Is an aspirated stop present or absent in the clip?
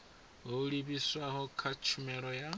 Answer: present